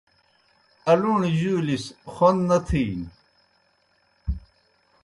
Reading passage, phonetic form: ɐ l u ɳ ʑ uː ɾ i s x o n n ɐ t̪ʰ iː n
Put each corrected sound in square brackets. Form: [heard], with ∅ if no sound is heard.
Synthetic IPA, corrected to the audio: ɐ l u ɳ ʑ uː [l] i s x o n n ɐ t̪ʰ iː n